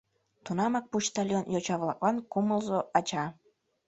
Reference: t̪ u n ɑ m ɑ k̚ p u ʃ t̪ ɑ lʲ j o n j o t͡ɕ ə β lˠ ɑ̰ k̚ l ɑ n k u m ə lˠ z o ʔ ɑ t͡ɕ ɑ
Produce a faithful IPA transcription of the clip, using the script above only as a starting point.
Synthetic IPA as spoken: t̪ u n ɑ m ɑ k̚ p u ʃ t̪ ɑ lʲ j o n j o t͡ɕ ɑ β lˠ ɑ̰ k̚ l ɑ n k u m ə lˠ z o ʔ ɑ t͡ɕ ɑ

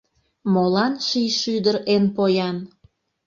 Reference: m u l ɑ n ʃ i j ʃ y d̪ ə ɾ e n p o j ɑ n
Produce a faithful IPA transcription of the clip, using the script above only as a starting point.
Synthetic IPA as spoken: m o l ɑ n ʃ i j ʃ y d̪ ə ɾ e n p o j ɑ n

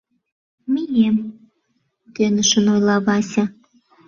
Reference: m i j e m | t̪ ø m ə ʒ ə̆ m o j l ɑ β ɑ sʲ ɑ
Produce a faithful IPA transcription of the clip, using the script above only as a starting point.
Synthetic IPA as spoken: m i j e m | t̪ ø n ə ʃ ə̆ n o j l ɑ β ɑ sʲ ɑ

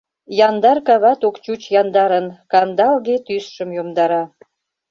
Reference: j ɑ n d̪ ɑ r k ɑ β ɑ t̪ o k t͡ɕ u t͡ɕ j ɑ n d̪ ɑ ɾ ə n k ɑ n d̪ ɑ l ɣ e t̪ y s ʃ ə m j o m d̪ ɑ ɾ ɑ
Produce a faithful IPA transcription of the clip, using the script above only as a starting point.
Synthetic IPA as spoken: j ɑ n d̪ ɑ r k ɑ β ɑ t̪ o k t͡ɕ u t͡ɕ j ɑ n d̪ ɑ ɾ ə n k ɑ n d̪ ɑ l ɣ e t̪ y s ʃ ə m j o m d̪ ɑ ɾ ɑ

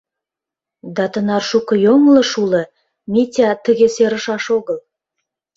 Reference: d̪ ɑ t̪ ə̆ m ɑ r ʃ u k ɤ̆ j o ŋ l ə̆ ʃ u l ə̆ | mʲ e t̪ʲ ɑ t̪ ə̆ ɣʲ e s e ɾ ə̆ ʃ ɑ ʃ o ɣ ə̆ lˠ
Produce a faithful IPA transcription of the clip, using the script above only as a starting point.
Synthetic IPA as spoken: d̪ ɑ t̪ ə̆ n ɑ r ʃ u k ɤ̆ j o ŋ l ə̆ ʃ u l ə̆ | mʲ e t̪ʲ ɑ t̪ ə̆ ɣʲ e s e ɾ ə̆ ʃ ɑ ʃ o ɣ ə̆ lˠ

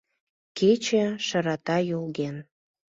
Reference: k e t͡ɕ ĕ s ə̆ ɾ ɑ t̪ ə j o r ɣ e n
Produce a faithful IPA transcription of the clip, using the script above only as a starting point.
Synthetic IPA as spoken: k e t͡ɕ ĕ ʃ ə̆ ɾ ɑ t̪ ɑ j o l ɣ e n

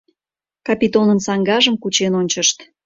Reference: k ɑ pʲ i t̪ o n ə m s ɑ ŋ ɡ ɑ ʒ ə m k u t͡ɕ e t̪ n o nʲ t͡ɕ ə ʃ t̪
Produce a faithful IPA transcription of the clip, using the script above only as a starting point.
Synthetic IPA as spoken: k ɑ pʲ i t̪ o n ə n s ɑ ŋ ɡ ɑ ʒ ə m k u t͡ɕ e n o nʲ t͡ɕ ə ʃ t̪

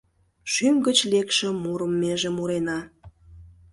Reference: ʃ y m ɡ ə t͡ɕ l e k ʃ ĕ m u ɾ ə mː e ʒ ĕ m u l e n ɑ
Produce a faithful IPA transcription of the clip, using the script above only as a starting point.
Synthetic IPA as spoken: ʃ y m ɡ ə t͡ɕ l e k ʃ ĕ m u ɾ ə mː e ʒ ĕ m u ɾ e n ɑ

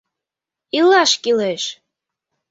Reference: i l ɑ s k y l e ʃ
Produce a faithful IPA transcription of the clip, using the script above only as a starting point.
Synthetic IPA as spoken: i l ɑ ʃ k i l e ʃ

